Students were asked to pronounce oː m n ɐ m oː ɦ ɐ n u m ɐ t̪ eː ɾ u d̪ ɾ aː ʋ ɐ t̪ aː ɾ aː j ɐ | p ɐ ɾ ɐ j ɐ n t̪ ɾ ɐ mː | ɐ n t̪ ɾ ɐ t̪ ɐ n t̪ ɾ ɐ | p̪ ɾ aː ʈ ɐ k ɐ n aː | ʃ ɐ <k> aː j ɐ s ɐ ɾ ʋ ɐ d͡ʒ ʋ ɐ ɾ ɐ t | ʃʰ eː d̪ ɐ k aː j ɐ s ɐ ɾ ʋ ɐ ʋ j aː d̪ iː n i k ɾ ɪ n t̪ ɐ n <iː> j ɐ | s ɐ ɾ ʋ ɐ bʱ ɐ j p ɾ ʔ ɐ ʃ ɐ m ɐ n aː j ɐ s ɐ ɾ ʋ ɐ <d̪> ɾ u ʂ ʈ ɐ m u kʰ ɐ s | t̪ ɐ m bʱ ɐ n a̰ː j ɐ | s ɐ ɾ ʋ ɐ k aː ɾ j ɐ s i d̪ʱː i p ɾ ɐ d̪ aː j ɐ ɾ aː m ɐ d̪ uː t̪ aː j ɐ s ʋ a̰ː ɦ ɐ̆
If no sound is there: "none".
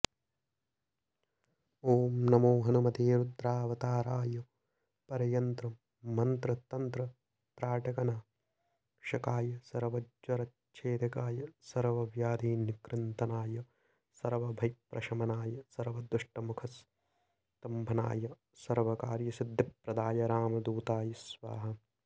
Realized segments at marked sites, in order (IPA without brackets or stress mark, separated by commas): k, aː, d̪